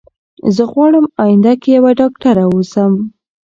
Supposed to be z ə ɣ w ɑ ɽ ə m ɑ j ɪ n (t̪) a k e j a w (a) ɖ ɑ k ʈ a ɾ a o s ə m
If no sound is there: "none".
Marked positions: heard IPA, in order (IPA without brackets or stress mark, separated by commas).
d̪, a